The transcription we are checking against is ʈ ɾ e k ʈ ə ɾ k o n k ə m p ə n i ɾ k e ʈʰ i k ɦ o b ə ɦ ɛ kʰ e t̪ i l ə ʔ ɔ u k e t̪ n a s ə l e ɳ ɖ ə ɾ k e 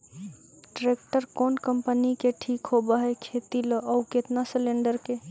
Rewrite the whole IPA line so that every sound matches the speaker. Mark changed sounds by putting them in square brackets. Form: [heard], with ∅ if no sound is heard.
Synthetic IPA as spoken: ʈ ɾ e k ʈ ə ɾ k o n k ə m p ə n i [∅] k e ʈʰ i k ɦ o b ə ɦ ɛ kʰ e t̪ i l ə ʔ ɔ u k e t̪ n a s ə l e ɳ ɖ ə ɾ k e